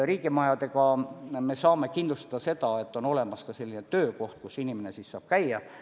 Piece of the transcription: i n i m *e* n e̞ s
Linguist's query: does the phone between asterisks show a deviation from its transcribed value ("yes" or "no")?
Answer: no